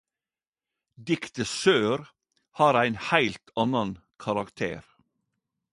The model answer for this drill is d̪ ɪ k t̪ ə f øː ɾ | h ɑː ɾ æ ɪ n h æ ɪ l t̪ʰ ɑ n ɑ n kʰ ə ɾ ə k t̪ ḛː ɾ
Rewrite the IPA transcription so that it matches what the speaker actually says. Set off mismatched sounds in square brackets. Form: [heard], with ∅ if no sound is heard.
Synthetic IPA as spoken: d̪ ɪ k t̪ ə [s] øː ɾ | h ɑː ɾ æ ɪ n h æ ɪ l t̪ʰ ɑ n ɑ n kʰ [ɑ] ɾ [ɑ] k [t̪ʰ] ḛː ɾ